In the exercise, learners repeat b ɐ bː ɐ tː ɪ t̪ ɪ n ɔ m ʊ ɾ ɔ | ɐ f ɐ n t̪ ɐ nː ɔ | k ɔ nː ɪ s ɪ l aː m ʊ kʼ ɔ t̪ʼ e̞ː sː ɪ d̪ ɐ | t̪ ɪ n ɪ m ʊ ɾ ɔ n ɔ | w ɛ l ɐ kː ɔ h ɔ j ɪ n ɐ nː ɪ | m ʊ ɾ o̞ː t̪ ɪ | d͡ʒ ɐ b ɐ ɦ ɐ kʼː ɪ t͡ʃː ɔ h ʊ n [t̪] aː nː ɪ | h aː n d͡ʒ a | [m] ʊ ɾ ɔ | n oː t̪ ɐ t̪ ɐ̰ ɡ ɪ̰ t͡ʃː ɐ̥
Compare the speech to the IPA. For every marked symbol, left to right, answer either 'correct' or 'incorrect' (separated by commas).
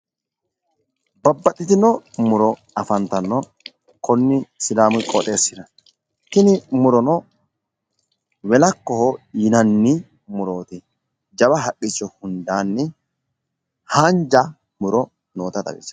incorrect, correct